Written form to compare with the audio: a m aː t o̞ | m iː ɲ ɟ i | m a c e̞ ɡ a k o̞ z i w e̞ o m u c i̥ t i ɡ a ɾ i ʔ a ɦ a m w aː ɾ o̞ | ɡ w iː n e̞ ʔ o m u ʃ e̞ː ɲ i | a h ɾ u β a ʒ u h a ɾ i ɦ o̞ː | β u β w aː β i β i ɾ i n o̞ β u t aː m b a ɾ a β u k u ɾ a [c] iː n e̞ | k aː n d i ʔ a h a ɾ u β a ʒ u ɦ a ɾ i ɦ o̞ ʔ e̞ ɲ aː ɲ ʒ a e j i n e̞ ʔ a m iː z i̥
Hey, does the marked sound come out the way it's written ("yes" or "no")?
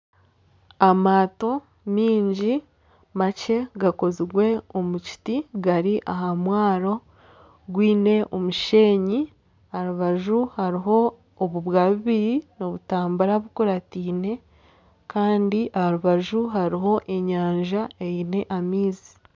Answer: no